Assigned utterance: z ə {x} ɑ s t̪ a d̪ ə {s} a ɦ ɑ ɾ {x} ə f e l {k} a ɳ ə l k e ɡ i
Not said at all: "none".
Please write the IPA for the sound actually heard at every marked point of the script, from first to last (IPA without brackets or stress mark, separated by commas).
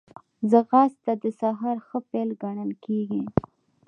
ɣ, s, x, ɡ